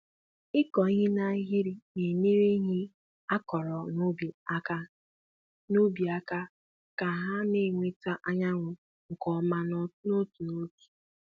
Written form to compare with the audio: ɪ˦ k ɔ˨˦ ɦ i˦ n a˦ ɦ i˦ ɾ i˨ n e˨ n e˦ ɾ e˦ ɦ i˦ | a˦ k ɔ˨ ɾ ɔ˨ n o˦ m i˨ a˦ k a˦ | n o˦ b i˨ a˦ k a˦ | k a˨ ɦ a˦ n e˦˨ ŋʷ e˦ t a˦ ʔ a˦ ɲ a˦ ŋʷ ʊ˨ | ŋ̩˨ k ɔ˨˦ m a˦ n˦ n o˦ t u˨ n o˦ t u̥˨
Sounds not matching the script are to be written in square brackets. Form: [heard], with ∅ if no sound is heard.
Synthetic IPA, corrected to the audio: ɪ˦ k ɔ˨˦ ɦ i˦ n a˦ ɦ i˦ ɾ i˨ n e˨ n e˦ ɾ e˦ ɦ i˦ | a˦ k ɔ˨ ɾ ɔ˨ n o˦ [b] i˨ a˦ k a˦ | n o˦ b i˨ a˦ k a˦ | k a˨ ɦ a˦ n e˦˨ ŋʷ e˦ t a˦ ʔ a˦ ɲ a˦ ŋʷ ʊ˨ | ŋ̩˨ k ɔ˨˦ m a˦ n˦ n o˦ t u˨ n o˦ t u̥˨